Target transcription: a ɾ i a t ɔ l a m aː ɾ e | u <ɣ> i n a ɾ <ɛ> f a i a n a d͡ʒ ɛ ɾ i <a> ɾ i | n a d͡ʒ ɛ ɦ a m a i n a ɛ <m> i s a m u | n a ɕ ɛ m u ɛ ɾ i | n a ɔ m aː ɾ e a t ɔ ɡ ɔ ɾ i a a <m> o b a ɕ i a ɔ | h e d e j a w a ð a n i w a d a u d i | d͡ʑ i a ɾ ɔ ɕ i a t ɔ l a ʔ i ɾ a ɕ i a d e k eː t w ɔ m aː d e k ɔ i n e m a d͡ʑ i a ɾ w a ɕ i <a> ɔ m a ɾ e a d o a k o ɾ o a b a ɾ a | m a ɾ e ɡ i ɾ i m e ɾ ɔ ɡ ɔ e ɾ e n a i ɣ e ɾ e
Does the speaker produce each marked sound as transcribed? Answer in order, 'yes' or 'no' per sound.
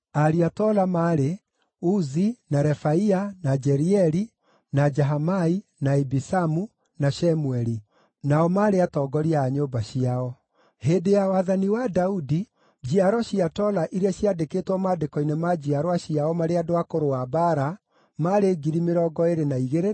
no, yes, no, no, no, yes

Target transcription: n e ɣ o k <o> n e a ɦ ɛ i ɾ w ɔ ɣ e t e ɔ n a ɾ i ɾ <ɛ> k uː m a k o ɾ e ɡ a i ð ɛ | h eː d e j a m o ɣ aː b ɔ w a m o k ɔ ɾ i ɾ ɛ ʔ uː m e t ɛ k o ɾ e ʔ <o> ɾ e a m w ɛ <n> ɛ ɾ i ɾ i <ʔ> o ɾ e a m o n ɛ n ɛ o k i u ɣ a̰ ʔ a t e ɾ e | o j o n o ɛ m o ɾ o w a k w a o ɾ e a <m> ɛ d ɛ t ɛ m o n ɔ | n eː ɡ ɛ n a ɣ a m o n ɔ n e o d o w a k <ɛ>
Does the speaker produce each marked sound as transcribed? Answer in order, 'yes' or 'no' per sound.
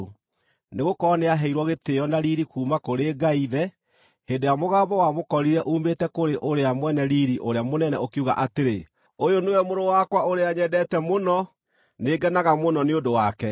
no, no, yes, yes, yes, no, yes

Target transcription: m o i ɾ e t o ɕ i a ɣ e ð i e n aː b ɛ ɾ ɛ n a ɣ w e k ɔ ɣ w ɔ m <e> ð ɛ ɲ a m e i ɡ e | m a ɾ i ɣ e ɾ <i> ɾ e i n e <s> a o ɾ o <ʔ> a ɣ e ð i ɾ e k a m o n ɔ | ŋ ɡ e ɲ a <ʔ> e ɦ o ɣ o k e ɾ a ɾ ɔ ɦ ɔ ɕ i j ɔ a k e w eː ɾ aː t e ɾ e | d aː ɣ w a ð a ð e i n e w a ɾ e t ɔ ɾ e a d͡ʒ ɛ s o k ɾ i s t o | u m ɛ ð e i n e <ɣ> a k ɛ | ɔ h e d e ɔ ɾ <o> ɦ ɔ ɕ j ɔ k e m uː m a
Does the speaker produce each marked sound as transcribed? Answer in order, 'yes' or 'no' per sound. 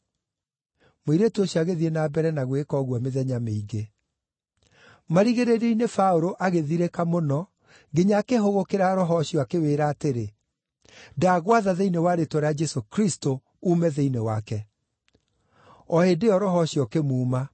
yes, no, no, yes, no, no, no

